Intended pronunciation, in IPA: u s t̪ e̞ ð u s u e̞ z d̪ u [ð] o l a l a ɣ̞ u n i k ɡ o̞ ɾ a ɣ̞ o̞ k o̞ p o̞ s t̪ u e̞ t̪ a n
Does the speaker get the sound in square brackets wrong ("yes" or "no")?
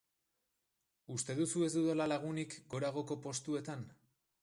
no